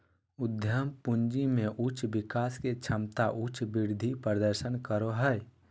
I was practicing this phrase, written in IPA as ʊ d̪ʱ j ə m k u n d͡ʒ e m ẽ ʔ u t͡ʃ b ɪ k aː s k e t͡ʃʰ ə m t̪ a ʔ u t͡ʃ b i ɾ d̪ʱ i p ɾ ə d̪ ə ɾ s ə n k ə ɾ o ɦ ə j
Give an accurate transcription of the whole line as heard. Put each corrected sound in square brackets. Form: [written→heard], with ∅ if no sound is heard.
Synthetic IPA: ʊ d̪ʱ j ə m [k→p] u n d͡ʒ [e→i] m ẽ ʔ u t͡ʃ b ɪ k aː s k e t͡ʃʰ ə m t̪ a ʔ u t͡ʃ b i ɾ d̪ʱ i p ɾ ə d̪ ə ɾ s ə n k ə ɾ o ɦ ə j